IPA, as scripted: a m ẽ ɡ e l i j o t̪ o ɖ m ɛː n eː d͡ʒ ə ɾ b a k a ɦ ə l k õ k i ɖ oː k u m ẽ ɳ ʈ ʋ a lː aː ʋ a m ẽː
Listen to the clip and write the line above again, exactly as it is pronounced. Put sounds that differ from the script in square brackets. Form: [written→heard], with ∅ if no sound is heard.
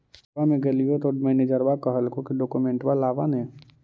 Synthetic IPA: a m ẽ ɡ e l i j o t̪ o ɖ m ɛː n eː d͡ʒ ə ɾ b a k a ɦ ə l k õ k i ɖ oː k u m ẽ ɳ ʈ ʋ a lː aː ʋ a [m→n] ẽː